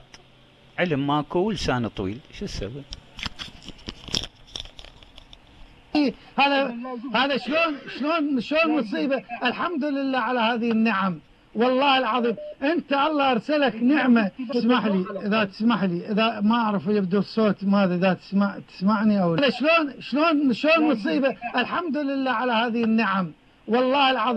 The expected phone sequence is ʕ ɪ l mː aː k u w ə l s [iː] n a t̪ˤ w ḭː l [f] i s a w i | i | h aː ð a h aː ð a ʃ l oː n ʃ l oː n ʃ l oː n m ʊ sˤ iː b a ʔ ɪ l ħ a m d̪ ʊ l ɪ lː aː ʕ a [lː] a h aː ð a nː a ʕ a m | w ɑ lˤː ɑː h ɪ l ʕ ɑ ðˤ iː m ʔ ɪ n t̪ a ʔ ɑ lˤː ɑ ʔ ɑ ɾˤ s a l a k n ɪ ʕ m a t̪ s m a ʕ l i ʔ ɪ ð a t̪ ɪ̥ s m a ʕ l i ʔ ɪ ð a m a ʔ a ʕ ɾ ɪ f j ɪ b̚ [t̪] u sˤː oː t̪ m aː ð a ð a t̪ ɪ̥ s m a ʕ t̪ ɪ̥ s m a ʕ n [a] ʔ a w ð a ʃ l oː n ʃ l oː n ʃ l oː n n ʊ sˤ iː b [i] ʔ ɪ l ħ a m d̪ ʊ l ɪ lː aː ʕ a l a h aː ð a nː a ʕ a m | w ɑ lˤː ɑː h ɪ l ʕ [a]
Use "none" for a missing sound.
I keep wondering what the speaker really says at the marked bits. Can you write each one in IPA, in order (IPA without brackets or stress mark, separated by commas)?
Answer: aː, ʃ, l, d̪, i, a, ɑ